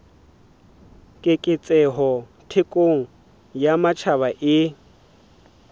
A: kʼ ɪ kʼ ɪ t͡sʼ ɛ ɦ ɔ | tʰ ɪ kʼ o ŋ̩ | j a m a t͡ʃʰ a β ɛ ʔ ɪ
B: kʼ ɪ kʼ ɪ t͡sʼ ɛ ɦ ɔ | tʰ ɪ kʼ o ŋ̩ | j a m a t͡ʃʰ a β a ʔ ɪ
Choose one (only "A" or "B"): B